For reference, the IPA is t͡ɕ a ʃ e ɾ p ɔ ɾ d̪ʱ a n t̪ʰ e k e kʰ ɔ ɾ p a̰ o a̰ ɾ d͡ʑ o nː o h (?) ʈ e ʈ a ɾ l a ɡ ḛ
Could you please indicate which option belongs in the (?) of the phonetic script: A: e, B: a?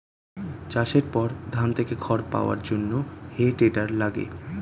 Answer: A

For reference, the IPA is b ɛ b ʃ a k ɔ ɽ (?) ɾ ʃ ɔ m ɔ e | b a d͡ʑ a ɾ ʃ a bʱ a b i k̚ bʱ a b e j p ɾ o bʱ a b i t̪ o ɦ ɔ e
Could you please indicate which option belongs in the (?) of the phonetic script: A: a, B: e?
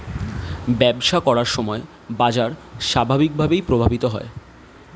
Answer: A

